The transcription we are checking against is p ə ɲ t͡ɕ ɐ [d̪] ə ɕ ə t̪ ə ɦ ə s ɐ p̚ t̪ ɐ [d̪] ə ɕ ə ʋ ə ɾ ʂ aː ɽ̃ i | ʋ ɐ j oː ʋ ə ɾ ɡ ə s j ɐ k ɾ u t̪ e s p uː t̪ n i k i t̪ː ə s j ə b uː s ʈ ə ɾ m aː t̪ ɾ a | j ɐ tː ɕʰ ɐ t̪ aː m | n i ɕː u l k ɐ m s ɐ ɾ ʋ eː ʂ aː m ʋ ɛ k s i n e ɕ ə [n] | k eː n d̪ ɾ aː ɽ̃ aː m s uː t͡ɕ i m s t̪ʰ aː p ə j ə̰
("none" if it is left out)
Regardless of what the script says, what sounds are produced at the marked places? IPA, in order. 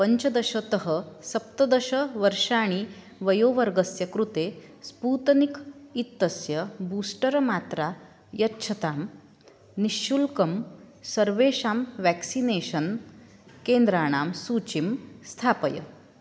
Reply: d̪, d̪, n

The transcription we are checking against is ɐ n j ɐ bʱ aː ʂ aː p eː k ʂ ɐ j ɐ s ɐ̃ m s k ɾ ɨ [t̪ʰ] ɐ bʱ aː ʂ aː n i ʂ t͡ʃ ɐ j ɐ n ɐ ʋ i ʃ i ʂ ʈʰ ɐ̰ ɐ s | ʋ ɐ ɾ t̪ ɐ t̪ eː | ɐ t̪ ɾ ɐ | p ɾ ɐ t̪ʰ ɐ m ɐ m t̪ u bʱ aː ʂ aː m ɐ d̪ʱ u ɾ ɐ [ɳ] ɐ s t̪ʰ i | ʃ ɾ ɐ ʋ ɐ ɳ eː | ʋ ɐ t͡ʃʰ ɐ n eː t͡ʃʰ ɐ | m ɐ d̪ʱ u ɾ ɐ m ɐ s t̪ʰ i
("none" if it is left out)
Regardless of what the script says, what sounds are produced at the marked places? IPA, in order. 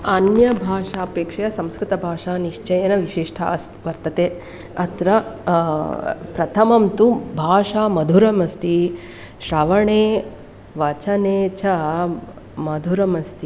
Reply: t̪, m

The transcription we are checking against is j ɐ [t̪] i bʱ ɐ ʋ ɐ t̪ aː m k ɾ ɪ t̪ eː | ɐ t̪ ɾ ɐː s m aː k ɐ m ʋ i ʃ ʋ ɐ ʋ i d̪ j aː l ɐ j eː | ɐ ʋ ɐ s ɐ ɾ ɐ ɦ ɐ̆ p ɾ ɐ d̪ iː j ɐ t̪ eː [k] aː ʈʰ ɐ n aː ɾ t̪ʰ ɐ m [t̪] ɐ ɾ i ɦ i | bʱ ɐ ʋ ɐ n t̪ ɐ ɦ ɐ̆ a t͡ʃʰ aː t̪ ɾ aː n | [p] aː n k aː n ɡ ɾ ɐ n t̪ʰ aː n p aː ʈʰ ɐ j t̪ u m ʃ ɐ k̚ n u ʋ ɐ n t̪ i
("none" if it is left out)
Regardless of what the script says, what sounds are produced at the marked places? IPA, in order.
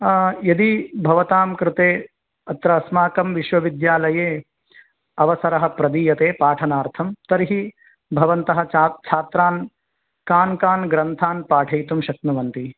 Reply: d̪, p, t̪, k

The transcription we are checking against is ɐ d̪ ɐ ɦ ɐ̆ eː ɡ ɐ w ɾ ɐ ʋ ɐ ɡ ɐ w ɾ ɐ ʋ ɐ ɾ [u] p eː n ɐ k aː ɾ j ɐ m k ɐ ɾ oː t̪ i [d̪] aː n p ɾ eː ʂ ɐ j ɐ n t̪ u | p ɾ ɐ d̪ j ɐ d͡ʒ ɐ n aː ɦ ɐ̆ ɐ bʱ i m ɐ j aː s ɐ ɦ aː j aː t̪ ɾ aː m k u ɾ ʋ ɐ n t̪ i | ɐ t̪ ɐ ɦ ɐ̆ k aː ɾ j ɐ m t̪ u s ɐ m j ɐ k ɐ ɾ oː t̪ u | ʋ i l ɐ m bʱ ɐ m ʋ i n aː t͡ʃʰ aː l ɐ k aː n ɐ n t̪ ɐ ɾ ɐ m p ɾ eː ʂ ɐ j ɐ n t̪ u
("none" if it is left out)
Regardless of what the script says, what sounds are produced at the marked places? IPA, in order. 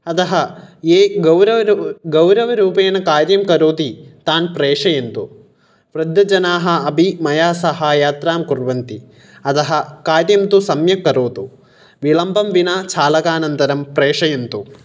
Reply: uː, t̪

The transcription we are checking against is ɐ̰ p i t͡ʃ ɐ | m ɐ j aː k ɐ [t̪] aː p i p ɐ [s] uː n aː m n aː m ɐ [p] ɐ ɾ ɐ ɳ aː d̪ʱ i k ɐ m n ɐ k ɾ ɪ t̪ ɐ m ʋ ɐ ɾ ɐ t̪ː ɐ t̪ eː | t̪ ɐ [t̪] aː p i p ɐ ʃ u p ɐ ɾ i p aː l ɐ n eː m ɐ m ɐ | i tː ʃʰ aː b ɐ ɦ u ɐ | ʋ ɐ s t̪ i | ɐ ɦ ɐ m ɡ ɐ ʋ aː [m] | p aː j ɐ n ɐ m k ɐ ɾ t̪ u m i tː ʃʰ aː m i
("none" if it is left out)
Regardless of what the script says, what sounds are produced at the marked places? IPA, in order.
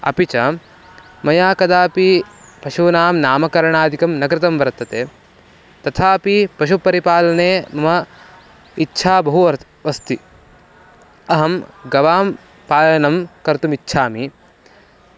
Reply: d̪, ʃ, k, t̪ʰ, m

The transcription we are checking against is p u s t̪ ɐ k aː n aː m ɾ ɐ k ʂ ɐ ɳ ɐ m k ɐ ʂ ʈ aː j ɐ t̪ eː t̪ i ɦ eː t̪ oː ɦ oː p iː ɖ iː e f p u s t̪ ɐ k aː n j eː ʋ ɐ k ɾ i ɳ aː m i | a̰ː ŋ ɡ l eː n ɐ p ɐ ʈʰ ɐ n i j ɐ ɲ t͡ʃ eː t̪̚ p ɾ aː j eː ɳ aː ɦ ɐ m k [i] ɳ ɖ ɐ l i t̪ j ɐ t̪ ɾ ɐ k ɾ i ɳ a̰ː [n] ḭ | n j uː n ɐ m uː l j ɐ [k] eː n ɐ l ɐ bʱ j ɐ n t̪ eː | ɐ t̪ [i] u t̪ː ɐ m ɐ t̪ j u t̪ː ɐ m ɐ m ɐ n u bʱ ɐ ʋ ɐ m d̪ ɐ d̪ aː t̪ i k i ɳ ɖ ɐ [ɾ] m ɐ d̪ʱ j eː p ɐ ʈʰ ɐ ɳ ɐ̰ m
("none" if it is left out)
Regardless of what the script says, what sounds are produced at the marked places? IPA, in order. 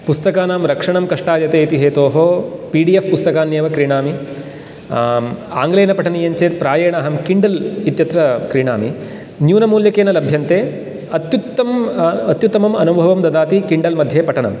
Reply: i, m, k, j, l

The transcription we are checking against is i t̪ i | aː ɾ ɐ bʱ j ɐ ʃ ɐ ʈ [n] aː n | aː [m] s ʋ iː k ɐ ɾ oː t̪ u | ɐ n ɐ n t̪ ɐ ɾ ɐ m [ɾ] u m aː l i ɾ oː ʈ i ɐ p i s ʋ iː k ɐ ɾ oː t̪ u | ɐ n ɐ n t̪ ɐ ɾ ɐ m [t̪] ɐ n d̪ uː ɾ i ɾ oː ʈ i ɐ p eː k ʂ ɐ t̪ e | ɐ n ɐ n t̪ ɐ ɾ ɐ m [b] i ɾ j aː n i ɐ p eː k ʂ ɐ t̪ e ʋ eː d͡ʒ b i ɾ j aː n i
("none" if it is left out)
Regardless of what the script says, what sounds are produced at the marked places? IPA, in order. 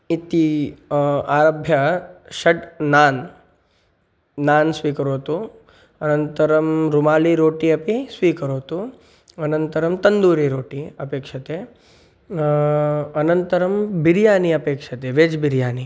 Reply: n, n, ɾ, t̪, b

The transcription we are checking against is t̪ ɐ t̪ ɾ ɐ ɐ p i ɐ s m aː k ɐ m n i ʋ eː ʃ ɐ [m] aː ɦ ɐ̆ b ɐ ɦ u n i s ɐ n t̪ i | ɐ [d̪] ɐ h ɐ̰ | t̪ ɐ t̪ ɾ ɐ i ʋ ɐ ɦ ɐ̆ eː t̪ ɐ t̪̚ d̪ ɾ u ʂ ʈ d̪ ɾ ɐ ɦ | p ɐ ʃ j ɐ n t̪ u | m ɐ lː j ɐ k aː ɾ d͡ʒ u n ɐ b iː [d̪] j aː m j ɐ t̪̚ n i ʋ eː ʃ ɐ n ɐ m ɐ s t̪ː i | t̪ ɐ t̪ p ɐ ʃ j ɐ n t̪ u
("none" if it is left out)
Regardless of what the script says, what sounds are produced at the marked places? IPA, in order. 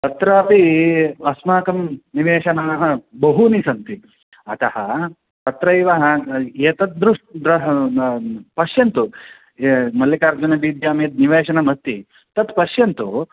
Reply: n, t̪, d̪

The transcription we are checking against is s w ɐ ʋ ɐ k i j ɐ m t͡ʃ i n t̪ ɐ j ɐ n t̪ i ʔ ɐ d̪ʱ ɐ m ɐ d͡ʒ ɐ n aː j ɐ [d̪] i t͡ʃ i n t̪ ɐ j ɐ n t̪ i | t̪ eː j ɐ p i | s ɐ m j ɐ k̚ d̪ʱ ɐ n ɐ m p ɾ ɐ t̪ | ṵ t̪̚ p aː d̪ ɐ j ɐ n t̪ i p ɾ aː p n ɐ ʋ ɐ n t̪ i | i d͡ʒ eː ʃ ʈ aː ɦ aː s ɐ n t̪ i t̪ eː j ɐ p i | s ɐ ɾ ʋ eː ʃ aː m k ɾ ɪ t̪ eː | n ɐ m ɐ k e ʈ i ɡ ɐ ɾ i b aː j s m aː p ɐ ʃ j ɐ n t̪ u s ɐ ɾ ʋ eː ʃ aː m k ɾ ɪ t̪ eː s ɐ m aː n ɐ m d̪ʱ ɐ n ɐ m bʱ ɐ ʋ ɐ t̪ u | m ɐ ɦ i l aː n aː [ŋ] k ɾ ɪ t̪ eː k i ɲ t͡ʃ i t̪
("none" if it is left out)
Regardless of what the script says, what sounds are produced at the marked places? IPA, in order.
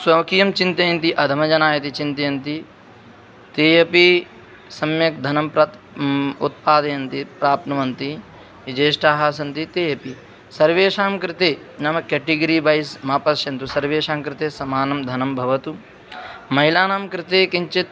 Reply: t̪, m

